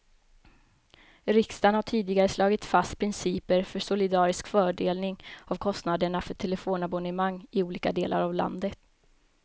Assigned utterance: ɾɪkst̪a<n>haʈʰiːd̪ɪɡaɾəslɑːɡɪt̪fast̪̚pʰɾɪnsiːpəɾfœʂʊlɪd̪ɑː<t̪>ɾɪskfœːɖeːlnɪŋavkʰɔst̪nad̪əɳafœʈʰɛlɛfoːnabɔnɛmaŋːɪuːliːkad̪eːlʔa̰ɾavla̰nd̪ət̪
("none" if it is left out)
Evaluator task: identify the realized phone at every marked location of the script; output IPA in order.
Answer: n, none

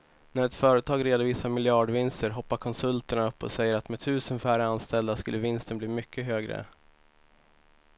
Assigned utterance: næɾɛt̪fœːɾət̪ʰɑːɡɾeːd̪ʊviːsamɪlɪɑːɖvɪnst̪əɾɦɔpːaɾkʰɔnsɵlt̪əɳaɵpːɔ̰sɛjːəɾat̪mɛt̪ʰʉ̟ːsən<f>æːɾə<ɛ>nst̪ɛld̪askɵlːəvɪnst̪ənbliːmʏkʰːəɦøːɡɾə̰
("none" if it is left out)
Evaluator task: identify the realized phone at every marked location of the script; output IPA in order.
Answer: f, a

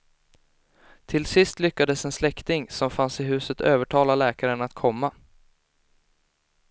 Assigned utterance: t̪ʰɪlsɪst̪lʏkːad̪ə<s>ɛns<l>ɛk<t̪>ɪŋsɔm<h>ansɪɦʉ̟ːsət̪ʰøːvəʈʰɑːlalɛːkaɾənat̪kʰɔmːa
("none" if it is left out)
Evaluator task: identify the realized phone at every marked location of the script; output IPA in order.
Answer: s, l, t̪, f

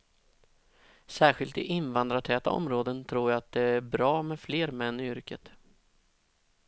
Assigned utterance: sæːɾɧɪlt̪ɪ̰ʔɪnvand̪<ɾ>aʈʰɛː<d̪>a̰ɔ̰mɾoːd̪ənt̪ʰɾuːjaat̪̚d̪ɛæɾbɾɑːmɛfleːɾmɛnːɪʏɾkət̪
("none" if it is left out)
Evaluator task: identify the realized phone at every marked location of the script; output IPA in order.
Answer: ɾ, t̪

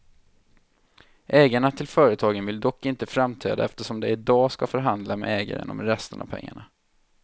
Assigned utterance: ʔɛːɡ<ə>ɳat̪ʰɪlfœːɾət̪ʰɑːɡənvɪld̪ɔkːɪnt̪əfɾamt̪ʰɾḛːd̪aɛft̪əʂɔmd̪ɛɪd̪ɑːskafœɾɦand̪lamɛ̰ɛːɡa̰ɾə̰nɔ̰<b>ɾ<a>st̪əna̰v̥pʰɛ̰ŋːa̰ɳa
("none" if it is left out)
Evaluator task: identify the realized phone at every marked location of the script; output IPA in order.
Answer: a, m, ɛ

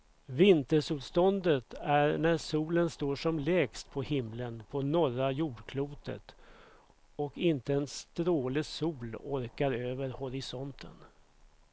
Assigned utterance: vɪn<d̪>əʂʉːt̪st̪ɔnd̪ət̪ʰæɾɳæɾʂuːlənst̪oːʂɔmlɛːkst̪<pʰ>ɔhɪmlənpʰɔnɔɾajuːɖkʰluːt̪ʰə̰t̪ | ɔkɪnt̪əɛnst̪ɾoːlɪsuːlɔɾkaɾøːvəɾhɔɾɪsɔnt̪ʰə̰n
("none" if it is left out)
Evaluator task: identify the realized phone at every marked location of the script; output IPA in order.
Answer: t̪, pʰ

